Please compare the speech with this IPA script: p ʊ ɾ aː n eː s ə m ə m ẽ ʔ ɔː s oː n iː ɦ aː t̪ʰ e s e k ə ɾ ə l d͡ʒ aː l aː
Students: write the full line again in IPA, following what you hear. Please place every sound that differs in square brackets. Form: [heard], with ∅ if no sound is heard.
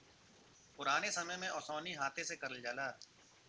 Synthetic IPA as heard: p ʊ ɾ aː n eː s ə m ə m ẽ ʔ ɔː s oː n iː ɦ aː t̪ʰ e s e k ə ɾ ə l d͡ʒ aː l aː